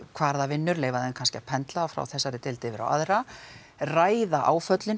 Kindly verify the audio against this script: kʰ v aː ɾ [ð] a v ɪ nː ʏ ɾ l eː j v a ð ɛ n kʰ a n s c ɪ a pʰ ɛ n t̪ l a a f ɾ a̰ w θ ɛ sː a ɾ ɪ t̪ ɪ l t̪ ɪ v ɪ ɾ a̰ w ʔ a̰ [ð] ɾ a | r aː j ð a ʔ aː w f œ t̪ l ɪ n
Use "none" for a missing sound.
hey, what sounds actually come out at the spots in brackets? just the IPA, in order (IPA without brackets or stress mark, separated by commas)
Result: ð, ð